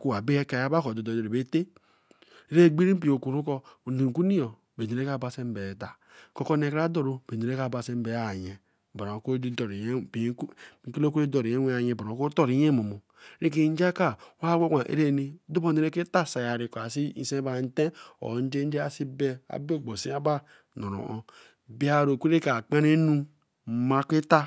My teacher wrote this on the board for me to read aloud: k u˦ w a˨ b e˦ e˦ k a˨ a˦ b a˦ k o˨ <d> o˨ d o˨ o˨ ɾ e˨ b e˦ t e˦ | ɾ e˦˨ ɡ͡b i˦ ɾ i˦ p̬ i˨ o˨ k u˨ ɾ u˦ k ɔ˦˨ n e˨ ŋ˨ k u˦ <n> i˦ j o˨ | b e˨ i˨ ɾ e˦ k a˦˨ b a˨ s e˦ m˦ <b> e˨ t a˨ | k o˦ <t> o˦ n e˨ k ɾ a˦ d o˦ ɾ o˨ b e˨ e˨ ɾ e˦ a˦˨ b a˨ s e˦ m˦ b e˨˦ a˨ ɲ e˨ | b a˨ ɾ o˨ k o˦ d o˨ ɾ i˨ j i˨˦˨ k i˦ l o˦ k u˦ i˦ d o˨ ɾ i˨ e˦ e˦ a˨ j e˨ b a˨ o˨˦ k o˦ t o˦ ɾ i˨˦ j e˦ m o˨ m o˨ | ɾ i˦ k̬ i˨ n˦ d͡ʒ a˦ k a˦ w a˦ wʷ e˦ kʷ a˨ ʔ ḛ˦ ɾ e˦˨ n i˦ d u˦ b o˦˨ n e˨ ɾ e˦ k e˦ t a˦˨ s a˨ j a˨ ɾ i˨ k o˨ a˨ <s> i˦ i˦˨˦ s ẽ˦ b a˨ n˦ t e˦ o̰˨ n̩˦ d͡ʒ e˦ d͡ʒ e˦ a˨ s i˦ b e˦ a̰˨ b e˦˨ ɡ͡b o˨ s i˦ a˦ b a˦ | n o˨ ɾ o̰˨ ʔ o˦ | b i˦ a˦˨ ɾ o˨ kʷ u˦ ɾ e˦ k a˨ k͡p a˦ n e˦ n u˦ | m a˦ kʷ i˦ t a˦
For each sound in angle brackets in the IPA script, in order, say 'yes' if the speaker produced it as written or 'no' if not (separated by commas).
yes, yes, yes, no, yes